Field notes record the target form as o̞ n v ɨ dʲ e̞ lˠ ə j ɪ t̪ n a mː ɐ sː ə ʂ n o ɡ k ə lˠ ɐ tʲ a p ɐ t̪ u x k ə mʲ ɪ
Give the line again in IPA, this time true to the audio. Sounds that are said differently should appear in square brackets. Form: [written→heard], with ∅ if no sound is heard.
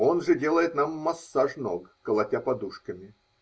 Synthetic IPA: o̞ n [v→ʐ] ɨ dʲ e̞ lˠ ə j ɪ t̪ n a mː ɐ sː [ə→a] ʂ n o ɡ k ə lˠ ɐ tʲ a p ɐ [t̪→d̪] u [x→ʂ] k ə mʲ ɪ